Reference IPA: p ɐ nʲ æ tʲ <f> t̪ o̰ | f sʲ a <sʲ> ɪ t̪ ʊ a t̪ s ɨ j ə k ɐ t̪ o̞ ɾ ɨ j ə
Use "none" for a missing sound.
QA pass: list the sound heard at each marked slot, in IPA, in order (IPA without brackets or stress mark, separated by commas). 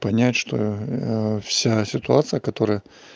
ʂ, sʲ